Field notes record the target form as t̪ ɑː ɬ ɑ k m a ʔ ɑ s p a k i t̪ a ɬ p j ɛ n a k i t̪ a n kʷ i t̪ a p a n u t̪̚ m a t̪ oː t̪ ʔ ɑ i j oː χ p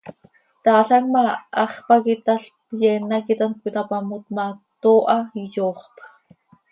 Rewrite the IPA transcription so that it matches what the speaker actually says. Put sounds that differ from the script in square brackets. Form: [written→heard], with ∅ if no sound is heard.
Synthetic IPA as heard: t̪ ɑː ɬ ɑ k m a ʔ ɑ [s→χ] p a k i t̪ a ɬ p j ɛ n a k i t̪ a n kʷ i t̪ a p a [n→m] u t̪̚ m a t̪ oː [t̪→∅] ʔ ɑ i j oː χ p